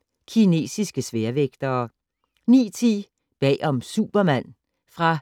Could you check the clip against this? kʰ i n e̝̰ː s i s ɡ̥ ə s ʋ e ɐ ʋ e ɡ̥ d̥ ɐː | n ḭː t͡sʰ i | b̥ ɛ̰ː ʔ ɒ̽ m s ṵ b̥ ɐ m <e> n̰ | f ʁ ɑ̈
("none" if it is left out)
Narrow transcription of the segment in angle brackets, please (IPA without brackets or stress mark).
æ